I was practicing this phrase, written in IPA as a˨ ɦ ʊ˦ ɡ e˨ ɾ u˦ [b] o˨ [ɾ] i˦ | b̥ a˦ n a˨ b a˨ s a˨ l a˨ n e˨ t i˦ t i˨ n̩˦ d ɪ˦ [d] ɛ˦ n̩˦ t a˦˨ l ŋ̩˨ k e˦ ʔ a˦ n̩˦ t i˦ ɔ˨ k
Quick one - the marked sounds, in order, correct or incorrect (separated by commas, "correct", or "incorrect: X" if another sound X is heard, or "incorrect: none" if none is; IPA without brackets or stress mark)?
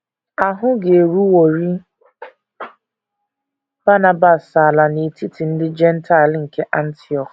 incorrect: w, correct, incorrect: d͡ʒ